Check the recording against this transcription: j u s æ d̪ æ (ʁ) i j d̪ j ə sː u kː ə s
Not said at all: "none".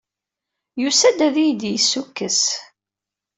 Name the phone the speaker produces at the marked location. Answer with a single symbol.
ð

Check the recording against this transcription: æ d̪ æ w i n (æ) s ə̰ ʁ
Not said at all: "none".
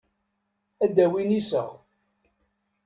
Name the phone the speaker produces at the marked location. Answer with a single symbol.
i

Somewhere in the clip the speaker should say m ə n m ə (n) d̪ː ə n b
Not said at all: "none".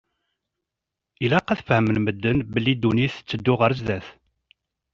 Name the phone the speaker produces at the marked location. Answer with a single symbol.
none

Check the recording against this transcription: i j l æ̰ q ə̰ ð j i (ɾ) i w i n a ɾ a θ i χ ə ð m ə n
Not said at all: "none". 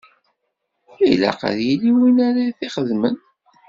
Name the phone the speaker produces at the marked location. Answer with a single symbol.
l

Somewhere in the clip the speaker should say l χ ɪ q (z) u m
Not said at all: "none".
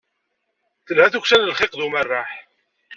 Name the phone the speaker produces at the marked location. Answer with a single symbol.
ð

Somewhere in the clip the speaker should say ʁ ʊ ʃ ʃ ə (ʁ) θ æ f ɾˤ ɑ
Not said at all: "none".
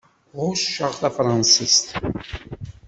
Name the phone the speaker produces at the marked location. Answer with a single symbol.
ʁ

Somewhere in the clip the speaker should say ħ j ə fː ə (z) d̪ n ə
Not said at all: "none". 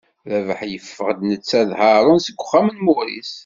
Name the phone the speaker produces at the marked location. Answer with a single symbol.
ʁ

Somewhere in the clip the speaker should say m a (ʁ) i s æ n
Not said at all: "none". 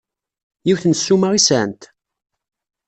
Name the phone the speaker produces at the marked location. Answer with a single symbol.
ʁ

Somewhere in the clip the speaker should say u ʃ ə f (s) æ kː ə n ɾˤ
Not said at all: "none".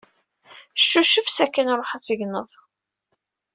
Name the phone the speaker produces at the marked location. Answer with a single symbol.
s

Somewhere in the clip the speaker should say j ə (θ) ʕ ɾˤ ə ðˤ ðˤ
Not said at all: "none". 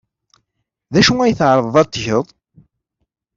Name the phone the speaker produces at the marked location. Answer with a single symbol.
θ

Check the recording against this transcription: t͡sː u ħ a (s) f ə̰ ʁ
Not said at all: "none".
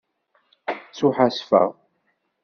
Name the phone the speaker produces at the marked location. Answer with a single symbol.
s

